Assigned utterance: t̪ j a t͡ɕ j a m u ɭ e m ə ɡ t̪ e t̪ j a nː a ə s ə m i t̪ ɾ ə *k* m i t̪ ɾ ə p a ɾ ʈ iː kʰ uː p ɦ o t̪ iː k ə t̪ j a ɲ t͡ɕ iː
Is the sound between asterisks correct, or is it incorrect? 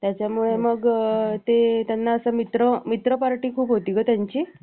incorrect